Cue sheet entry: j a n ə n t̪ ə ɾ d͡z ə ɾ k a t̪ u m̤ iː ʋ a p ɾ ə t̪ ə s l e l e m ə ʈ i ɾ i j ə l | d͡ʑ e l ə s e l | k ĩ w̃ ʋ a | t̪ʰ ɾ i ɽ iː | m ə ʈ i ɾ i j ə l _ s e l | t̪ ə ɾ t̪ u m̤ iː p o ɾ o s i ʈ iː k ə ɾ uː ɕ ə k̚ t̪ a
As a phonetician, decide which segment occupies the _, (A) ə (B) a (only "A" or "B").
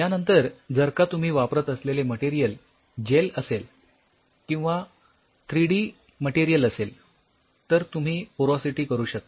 A